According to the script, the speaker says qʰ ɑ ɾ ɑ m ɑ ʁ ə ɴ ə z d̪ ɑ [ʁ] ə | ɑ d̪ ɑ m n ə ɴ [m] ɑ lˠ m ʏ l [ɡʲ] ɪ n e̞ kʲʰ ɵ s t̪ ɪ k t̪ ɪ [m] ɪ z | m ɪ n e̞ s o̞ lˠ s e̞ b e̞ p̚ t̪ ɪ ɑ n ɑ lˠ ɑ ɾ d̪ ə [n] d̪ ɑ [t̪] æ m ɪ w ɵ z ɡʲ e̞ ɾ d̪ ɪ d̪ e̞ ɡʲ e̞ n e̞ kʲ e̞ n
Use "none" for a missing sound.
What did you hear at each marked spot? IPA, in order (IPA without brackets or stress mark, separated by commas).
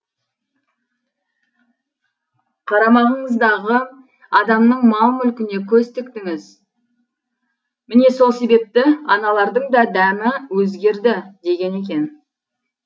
ʁ, m, kʲ, ŋ, ɴ, d̪